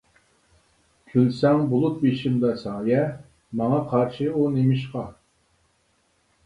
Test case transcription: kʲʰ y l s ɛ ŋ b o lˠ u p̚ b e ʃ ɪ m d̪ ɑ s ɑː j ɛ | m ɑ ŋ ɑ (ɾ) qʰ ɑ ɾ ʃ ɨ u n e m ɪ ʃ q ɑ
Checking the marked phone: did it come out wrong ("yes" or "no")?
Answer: yes